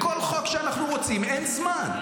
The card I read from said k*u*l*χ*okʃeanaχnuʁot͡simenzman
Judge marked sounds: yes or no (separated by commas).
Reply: no, yes